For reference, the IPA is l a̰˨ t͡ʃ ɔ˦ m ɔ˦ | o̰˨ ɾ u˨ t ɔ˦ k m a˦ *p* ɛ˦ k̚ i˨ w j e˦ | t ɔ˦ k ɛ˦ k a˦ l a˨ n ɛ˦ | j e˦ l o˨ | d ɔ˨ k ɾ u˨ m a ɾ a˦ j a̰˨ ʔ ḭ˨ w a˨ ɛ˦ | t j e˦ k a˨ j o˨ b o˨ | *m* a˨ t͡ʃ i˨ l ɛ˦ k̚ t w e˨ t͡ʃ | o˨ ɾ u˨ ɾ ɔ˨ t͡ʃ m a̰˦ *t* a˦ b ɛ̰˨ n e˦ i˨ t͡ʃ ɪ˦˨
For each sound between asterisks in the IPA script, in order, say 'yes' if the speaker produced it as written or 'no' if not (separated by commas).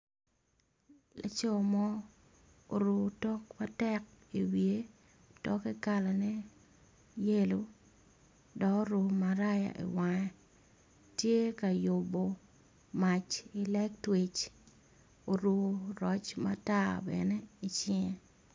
no, yes, yes